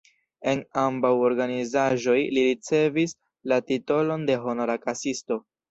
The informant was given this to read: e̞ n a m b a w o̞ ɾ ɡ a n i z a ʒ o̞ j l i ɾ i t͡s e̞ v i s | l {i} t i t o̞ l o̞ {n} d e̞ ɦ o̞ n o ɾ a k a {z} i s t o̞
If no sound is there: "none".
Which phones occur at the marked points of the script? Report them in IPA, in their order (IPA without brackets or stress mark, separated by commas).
a, n, s